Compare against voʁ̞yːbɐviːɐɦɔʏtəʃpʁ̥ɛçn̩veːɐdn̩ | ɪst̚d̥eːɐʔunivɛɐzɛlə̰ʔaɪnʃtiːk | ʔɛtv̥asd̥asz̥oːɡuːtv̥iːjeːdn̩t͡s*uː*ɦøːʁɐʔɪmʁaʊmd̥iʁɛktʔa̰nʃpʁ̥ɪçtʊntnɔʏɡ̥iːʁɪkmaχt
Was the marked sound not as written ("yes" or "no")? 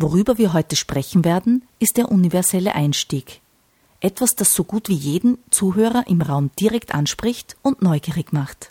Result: no